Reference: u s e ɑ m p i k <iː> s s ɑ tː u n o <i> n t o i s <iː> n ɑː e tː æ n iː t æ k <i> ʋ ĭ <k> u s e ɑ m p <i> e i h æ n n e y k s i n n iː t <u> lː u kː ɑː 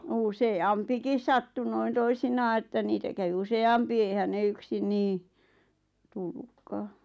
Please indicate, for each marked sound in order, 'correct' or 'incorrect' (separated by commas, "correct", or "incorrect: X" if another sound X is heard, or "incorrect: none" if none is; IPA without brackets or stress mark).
incorrect: i, correct, incorrect: i, incorrect: æ, incorrect: none, correct, correct